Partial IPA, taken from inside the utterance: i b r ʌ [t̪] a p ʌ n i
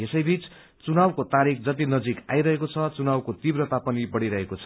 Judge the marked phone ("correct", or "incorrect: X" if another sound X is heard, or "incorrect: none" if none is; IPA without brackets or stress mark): correct